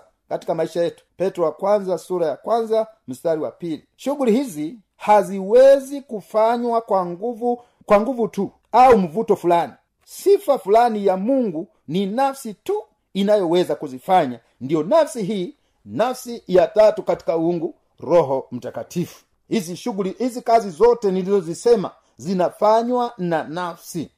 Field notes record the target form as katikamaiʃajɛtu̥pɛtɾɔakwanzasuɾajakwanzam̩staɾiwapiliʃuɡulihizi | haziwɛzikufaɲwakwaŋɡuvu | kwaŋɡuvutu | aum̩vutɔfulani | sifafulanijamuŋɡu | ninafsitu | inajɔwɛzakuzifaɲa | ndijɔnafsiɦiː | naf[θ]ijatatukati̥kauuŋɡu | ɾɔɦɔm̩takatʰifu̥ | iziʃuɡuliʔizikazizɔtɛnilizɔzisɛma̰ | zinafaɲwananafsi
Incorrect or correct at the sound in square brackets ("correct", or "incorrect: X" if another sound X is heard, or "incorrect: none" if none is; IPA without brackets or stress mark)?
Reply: incorrect: s